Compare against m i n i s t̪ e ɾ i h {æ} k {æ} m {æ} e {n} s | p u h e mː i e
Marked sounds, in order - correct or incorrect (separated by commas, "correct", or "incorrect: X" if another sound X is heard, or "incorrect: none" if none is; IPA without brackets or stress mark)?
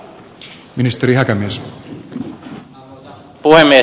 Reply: correct, correct, incorrect: i, incorrect: none